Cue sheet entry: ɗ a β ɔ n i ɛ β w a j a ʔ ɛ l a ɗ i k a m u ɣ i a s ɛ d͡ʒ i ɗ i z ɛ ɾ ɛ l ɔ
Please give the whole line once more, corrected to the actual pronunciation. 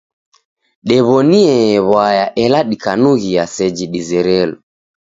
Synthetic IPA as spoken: ɗ ɛ β ɔ n i ɛ β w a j a ʔ ɛ l a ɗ i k a n u ɣ i a s ɛ d͡ʒ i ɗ i z ɛ ɾ ɛ l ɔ